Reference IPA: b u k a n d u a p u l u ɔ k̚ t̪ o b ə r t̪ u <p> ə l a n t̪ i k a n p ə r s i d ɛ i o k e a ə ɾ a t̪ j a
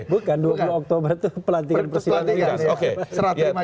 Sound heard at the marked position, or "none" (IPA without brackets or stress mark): p